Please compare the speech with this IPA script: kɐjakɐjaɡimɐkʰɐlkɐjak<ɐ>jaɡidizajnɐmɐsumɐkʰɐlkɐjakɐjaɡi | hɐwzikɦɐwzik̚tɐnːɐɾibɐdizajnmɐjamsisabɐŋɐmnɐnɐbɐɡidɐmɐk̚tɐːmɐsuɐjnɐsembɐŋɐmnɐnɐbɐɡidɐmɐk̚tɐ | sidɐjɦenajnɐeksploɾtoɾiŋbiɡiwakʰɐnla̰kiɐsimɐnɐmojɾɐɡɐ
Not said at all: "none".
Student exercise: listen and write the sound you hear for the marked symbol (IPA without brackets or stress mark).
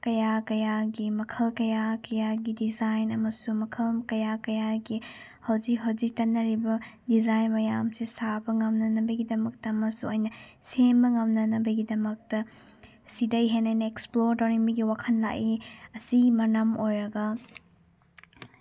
ɐ